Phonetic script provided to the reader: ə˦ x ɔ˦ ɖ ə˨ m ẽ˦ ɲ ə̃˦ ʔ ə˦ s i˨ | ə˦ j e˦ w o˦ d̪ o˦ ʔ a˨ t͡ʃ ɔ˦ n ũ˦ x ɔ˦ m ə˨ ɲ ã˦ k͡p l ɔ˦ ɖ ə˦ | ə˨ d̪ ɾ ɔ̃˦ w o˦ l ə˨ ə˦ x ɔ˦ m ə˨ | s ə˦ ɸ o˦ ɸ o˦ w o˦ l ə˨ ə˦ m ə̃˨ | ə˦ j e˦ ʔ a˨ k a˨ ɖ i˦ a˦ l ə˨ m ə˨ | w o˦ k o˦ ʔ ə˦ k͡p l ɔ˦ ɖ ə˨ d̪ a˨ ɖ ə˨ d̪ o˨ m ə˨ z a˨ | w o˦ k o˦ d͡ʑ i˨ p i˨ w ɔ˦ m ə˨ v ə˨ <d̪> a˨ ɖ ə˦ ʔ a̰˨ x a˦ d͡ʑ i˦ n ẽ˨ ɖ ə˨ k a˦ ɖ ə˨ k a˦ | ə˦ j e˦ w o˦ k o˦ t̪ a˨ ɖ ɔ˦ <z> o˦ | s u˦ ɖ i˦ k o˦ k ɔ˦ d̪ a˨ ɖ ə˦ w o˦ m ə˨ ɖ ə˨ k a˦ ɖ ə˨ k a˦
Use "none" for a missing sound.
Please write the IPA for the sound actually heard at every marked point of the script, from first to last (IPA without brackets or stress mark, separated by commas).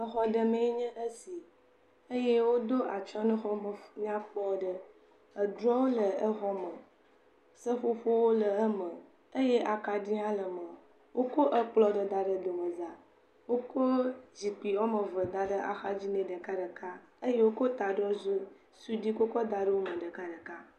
d̪, z